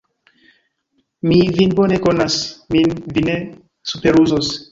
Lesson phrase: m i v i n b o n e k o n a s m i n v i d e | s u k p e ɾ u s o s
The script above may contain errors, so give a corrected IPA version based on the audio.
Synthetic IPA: m i v i n b o n e k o n a s m i n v i n e | s u p e ɾ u z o s